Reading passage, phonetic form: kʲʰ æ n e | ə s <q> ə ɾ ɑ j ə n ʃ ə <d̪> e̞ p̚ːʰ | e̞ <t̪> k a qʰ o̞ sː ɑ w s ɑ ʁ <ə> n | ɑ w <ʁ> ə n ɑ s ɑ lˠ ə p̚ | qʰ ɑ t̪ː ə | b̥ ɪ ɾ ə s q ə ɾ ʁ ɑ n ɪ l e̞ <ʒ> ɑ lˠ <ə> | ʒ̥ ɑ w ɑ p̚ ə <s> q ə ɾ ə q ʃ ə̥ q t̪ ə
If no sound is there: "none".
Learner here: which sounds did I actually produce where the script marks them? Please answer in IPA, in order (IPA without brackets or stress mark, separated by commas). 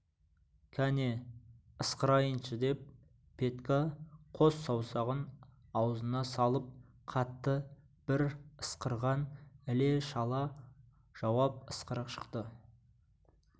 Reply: q, d̪, t̪, ə, z, ʃ, ɑ, s